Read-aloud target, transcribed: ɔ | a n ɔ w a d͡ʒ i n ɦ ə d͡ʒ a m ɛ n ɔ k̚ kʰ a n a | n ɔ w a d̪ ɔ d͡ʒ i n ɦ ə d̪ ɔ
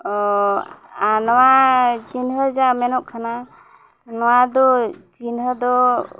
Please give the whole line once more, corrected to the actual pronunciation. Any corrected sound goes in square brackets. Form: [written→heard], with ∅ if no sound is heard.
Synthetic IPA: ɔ | a n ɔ w a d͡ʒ i n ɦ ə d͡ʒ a m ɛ n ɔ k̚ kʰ a n a | n ɔ w a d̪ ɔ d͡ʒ i n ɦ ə d̪ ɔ